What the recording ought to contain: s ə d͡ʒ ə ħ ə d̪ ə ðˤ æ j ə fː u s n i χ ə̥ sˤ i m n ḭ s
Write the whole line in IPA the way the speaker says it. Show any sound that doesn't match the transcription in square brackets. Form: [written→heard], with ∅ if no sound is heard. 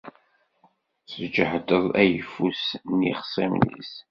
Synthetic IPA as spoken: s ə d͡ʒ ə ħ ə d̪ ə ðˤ æ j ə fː u s n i χ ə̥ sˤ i m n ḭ s